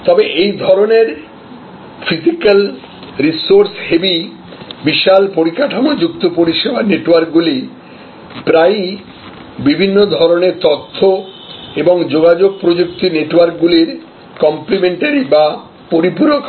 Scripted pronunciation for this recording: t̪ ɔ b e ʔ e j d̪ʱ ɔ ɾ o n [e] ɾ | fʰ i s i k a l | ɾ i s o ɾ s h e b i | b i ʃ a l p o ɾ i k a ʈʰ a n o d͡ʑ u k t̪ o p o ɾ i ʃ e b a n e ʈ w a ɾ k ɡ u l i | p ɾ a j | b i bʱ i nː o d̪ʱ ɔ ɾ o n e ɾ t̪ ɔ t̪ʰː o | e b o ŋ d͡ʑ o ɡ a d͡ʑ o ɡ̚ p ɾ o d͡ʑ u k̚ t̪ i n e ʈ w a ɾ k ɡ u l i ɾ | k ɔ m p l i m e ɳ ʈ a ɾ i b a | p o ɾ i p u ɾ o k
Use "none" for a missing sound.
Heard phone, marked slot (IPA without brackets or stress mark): e